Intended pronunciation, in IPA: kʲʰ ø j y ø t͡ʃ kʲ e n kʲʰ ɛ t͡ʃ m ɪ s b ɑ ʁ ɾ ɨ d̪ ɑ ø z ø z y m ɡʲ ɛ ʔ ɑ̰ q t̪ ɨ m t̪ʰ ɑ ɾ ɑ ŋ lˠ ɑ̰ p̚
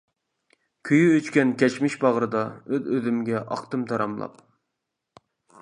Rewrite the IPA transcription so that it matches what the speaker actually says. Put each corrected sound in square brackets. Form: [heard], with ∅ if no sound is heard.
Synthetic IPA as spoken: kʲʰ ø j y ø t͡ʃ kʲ [ɛ] n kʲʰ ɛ t͡ʃ m ɪ [ʃ] b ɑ ʁ ɾ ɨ d̪ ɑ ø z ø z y m ɡʲ ɛ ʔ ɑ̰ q t̪ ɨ m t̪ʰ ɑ ɾ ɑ [m] lˠ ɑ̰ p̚